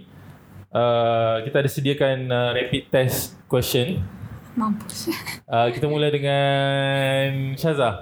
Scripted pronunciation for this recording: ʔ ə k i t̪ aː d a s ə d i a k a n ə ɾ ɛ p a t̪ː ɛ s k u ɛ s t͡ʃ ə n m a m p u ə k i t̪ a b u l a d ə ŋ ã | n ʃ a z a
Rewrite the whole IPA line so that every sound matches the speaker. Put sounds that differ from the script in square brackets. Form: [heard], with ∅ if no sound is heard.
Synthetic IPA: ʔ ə k i t̪ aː d a s ə d i a k a n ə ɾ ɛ p [i] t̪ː ɛ s k [w] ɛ s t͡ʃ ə n m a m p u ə k i t̪ a [m] u l a d ə ŋ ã | n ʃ a z a